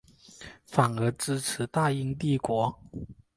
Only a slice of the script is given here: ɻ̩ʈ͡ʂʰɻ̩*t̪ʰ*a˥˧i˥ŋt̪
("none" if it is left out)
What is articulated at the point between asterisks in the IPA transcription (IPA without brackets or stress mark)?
t̪